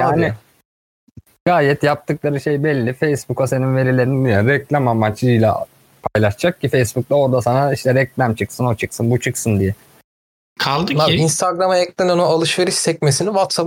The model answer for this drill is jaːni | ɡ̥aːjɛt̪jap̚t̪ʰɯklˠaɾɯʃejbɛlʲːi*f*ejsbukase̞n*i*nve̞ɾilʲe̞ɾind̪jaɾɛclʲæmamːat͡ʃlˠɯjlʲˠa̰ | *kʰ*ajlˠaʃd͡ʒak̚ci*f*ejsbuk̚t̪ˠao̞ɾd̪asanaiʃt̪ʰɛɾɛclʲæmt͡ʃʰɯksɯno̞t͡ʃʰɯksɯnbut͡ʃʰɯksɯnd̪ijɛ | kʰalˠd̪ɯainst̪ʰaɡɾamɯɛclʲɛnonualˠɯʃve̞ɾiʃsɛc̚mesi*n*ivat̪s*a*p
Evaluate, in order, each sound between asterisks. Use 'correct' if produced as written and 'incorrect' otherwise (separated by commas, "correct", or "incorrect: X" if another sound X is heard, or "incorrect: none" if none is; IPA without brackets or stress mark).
correct, correct, incorrect: pʰ, correct, correct, correct